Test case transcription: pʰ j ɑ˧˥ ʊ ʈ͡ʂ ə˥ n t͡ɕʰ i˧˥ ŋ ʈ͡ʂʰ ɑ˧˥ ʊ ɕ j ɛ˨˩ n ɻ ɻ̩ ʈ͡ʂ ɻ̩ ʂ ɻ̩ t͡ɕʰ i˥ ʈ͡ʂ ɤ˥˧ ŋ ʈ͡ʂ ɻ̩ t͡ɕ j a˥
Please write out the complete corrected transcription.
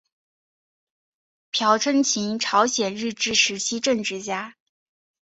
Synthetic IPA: pʰ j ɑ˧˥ ʊ ʈ͡ʂʰ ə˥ n t͡ɕʰ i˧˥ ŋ ʈ͡ʂʰ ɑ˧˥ ʊ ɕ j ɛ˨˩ n ɻ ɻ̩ ʈ͡ʂ ɻ̩ ʂ ɻ̩ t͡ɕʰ i˥ ʈ͡ʂ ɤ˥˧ ŋ ʈ͡ʂ ɻ̩ t͡ɕ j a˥